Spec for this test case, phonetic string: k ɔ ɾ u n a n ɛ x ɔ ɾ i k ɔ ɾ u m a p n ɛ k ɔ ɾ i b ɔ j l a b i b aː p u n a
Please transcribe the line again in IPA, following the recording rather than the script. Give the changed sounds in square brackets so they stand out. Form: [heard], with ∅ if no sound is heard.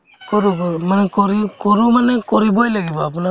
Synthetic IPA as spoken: k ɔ ɾ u [m] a n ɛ [k] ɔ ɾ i k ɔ ɾ u m a [∅] n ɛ k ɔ ɾ i b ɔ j l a [ɡ] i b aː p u n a